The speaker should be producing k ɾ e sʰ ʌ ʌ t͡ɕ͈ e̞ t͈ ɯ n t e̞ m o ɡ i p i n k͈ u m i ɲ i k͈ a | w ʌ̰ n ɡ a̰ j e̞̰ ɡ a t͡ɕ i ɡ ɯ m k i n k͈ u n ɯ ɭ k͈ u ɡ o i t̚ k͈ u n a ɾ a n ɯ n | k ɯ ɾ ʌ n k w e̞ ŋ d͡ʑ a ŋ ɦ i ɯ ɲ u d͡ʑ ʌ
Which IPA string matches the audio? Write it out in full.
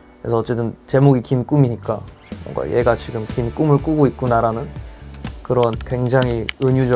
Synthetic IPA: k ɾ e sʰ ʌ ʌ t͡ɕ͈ e̞ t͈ ɯ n t͡ɕ e̞ m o ɡ i k i n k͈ u m i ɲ i k͈ a | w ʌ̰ ŋ ɡ a̰ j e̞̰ ɡ a t͡ɕ i ɡ ɯ m k i n k͈ u m ɯ ɭ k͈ u ɡ o i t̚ k͈ u n a ɾ a n ɯ n | k ɯ ɾ ʌ n k w e̞ ŋ d͡ʑ a ŋ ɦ i ɯ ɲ u d͡ʑ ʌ